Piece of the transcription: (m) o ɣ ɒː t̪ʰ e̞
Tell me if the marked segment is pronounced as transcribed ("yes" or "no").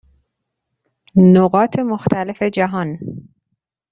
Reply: no